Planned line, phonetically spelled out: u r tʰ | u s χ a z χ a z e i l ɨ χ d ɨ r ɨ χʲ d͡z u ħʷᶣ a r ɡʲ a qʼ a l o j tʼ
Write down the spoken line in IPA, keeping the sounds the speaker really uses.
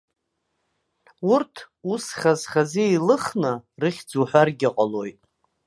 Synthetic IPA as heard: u r tʰ | u s χ a z χ a z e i l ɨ χ n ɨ r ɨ χʲ d͡z u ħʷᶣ a r ɡʲ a qʼ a l o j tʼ

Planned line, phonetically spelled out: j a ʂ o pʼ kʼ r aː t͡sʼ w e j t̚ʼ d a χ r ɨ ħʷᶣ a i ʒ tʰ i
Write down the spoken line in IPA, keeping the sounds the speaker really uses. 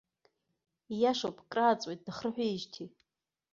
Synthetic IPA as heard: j a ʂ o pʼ kʼ r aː t͡sʼ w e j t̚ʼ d a χ r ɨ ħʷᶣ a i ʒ tʰ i

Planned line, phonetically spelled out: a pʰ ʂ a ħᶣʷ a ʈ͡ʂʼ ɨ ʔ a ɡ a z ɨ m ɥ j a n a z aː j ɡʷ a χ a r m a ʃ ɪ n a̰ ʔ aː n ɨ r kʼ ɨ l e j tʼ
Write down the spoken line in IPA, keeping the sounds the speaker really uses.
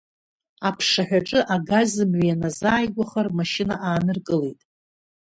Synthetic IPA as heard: a pʰ ʂ a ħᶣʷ a ʈ͡ʂʼ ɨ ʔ a ɡ a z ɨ m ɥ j a n a z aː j ɡʷ a χ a r m a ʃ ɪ n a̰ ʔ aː n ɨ r kʼ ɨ l e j tʼ

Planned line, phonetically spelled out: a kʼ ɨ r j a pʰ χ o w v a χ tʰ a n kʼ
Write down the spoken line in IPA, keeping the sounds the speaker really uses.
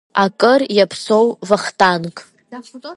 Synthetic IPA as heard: a kʼ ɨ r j a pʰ s o w v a χ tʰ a n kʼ

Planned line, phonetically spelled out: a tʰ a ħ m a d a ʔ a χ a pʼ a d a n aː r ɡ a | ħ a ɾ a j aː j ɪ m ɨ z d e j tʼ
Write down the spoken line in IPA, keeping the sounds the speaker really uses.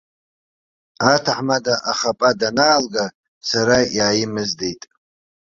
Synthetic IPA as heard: a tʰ a ħ m a d a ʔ a χ a pʼ a d a n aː l ɡ a | s a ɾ a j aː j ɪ m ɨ z d e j tʼ

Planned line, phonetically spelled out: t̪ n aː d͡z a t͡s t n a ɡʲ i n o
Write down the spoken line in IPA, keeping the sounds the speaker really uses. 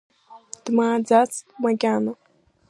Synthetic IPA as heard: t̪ m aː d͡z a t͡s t m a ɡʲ a n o

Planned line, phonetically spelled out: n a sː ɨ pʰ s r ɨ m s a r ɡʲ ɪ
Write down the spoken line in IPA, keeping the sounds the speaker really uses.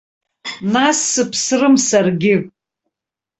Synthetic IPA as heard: n a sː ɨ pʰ s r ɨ m s a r ɡʲ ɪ

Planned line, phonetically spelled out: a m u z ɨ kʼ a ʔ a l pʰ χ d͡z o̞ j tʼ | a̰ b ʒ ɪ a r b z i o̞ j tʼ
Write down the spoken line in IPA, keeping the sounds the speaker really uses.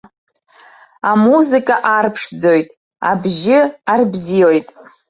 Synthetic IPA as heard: a m u z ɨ kʼ a ʔ a r pʰ ʂ d͡z o̞ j tʼ | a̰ b ʒ ɪ a r b z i o̞ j tʼ

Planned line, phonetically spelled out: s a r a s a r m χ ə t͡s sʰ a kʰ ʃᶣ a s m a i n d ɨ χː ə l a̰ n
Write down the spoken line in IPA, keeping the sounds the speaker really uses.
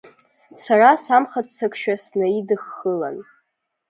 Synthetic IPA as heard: s a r a s a m χ a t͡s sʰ a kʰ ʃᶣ a s n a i d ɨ χː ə l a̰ n

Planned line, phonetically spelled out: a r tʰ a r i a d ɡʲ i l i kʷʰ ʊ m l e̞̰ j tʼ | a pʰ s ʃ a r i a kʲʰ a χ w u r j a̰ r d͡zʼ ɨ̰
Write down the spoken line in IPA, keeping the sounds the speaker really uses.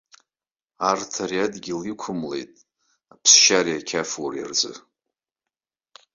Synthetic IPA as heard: a r tʰ a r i a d ɡʲ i l i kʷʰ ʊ m l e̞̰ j tʼ | a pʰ s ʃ a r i a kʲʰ a f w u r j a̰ r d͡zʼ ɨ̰

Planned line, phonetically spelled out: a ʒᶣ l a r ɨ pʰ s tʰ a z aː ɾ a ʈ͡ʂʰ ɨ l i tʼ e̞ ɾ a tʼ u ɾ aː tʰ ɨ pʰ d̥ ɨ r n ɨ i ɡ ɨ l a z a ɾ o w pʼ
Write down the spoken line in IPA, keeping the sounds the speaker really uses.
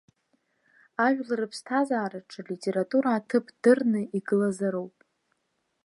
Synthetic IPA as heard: a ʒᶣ l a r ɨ pʰ s tʰ a z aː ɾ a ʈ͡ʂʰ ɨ l i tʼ e̞ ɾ a tʼ u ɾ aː tʰ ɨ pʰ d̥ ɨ r n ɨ i ɡ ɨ l a z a ɾ o w pʼ

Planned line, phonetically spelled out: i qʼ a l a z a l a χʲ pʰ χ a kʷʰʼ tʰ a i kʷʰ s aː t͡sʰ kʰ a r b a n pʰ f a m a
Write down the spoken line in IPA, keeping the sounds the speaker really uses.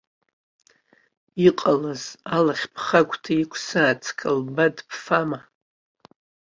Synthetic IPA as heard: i qʼ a l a z a l a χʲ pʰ χ a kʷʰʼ tʰ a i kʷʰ s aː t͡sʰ kʰ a l b a d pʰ f a m a

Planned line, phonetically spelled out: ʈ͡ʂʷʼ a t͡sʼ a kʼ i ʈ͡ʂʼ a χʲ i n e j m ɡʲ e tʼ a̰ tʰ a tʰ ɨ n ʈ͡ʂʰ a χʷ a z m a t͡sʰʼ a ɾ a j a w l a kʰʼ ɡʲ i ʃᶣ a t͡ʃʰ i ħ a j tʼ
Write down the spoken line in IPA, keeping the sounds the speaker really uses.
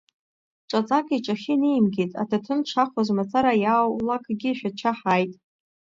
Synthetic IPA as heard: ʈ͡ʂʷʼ a t͡sʼ a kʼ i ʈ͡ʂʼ a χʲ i n e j m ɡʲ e tʼ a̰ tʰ a tʰ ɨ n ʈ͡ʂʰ a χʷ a z m a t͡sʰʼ a ɾ a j a w l a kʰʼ ɡʲ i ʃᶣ a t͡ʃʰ a ħ a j tʼ

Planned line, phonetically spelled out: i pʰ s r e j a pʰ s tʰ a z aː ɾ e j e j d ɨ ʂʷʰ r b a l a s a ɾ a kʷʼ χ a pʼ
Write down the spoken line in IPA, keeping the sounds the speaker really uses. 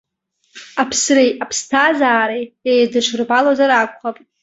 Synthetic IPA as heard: a pʰ s r e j a pʰ s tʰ a z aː ɾ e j e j d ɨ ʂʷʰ r b a l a z a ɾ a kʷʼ χ a pʼ

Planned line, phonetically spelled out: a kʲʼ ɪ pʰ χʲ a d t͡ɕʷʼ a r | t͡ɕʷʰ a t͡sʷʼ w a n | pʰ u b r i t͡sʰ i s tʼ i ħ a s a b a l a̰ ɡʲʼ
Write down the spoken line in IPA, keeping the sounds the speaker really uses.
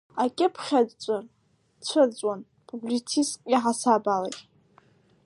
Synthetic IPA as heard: a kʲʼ ɪ pʰ χʲ a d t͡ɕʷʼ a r | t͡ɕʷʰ a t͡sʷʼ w a n | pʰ u b l i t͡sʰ i s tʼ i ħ a s a b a l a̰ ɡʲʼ

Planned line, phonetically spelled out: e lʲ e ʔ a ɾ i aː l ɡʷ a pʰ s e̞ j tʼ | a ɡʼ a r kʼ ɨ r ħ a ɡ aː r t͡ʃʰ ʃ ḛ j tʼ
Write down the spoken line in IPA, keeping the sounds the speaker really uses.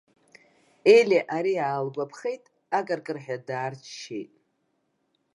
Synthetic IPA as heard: e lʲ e ʔ a ɾ i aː l ɡʷ a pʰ χ e̞ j tʼ | a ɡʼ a r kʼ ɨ r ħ a d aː r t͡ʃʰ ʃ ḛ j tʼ

